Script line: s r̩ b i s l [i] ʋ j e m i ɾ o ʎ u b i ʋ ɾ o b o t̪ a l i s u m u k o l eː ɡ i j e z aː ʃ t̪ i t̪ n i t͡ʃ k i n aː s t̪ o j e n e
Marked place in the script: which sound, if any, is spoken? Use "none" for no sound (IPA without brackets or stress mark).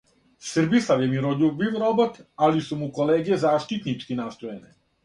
a